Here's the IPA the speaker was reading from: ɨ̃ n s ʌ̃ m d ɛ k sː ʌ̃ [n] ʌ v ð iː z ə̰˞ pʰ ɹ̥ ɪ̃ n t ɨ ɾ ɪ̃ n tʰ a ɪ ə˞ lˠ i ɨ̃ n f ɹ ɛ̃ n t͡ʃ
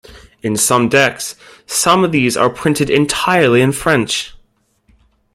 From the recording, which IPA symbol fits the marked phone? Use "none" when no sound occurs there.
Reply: m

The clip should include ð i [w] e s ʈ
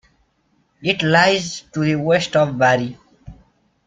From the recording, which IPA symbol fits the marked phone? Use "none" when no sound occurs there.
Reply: w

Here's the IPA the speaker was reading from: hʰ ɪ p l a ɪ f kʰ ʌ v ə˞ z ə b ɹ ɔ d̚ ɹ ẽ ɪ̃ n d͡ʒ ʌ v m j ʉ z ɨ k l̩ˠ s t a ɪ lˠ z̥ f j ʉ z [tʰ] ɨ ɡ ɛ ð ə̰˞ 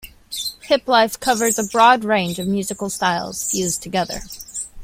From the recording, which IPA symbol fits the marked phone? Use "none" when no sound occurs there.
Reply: tʰ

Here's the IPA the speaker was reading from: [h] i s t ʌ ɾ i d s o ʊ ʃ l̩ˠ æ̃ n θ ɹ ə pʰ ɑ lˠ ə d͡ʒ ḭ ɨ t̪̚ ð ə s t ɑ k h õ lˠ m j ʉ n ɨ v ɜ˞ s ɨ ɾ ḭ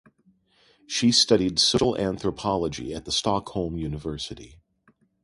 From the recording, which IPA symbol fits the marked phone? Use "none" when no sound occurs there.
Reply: ʃ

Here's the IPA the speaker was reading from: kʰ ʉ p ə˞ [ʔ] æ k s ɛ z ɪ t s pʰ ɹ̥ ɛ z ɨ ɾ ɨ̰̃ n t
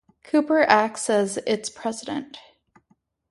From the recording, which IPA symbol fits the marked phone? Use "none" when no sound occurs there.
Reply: ʔ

